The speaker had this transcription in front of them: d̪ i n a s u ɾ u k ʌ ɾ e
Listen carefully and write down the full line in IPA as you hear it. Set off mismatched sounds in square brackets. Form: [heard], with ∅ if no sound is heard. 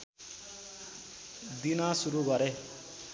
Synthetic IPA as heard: d̪ i n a s u ɾ u [ɡ] ʌ ɾ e